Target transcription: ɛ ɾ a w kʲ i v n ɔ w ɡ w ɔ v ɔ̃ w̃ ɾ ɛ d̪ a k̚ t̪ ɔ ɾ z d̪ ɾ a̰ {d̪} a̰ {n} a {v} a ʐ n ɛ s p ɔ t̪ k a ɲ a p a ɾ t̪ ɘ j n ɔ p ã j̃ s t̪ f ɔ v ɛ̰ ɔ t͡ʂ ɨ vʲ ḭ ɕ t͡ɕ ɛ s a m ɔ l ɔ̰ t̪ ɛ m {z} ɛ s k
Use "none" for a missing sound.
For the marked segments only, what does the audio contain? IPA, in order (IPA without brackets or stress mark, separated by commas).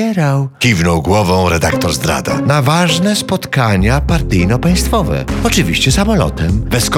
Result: d̪, n, v, v